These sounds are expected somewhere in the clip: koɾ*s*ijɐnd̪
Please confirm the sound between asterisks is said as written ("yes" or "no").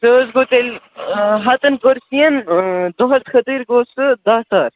yes